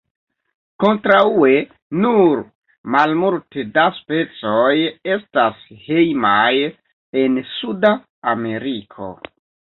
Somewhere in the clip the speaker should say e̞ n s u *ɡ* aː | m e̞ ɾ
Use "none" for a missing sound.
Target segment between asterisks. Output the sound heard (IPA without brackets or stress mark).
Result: d